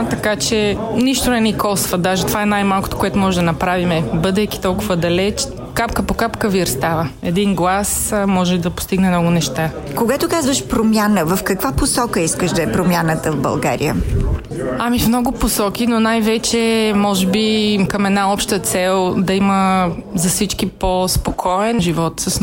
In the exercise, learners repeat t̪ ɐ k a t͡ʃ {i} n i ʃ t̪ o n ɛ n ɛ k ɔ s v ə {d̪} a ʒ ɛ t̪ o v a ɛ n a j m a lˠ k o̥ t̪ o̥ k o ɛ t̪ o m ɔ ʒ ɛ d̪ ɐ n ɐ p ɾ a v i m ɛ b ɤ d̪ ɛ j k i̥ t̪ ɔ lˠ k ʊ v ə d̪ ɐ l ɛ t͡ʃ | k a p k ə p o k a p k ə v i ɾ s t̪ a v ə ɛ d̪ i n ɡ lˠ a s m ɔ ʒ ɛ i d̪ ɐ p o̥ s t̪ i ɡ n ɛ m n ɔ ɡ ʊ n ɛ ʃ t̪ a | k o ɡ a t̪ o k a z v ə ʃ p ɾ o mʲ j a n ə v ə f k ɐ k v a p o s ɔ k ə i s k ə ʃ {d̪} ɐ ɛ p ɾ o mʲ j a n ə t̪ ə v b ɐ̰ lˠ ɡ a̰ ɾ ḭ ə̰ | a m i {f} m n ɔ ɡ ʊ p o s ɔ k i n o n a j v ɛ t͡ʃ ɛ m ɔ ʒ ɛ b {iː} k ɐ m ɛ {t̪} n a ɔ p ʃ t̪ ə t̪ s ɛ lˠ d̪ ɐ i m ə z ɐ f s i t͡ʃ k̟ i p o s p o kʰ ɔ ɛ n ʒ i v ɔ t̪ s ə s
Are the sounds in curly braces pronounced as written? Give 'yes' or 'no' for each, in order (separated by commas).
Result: no, yes, yes, yes, no, no